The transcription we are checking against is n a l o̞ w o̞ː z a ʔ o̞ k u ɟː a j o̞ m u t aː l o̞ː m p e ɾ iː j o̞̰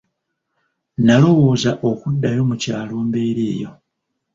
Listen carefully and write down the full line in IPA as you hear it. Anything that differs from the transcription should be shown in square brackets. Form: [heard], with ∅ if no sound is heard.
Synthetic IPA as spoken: n a l o̞ w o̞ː z a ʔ o̞ k u [dː] a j o̞ m u [c] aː l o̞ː m [b] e ɾ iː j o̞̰